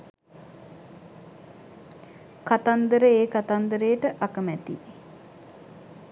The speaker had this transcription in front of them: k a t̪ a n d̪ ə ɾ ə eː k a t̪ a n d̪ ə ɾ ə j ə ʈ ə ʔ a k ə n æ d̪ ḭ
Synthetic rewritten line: k a t̪ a n d̪ ə ɾ ə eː k a t̪ a n d̪ ə ɾ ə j ə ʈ ə ʔ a k ə m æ t̪ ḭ

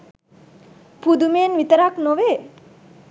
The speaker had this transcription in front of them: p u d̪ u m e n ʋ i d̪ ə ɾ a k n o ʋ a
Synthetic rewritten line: p u d̪ u m e n ʋ i t̪ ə ɾ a k n o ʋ e

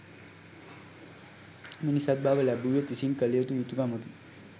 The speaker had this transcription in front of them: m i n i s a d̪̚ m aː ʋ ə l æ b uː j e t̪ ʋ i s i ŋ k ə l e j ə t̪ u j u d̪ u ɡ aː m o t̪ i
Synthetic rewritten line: m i n i s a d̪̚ b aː ʋ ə l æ b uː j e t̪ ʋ i s i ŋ k ə l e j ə t̪ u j u t̪ u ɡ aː m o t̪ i

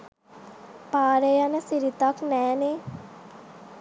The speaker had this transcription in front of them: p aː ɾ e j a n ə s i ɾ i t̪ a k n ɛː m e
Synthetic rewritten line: p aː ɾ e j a n ə s i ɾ i t̪ a k n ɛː n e

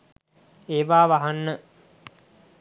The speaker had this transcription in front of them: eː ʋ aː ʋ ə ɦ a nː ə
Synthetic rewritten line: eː ʋ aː ʋ a ɦ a nː ə

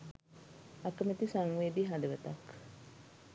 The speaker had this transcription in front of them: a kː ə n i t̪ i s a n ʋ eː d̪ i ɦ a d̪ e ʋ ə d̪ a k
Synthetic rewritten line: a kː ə m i t̪ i s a ŋ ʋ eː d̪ i ɦ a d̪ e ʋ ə t̪ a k

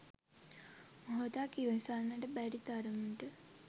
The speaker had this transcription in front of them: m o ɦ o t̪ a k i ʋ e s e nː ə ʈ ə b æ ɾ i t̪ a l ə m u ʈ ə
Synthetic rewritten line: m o ɦ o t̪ a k i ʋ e s a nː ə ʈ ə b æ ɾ i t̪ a ɾ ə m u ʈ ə

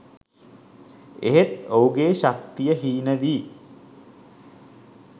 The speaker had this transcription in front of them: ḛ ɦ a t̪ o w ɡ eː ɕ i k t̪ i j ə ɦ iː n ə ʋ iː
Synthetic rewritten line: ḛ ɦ e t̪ o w ɡ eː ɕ a k t̪ i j ə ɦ iː n ə ʋ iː

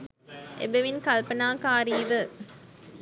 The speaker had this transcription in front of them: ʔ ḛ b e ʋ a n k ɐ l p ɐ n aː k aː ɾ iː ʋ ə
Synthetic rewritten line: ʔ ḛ b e ʋ i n k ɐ l p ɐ n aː k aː ɾ iː ʋ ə

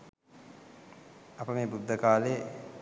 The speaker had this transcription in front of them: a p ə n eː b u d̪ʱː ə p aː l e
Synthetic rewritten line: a p ə m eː b u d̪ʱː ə k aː l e

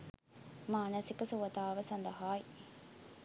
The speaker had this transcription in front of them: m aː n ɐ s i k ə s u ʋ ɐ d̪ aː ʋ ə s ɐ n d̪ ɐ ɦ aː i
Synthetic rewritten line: m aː n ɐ s i k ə s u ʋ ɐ t̪ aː ʋ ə s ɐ n d̪ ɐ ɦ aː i

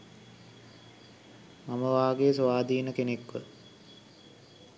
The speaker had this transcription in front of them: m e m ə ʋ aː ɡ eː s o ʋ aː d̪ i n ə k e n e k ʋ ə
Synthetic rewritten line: m a m ə ʋ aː ɡ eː s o ʋ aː d̪ iː n ə k e n e k ʋ ə

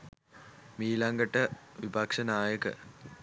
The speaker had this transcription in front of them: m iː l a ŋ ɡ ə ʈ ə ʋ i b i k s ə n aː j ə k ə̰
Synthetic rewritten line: m iː l a ŋ ɡ ə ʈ ə ʋ i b a k ʂ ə n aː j ə k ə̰

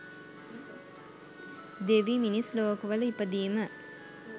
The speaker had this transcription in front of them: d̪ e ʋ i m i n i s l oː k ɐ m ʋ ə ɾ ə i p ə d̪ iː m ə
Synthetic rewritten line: d̪ e ʋ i m i n i s l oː k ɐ ʋ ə l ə i p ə d̪ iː m ə

